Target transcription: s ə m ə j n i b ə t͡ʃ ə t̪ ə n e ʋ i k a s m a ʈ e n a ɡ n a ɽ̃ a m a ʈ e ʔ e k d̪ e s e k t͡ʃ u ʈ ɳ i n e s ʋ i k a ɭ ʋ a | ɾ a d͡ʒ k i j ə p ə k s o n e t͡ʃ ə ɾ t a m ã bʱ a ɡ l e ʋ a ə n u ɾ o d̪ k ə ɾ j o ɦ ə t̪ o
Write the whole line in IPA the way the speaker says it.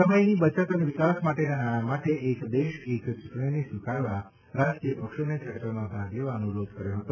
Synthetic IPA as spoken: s ə m ə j n i b ə t͡ʃ ə t̪ ə n e ʋ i k a s m a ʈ e n a n a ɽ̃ a m a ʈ e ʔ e k d̪ e ʃ e k t͡ʃ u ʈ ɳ i n e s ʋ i k a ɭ ʋ a | ɾ a d͡ʒ k i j ə p ə k ʃ o n e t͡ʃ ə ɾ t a m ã bʱ a ɡ l e ʋ a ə n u ɾ o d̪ k ə ɾ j o ɦ ə t̪ o